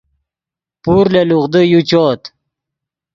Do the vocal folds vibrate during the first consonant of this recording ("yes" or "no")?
no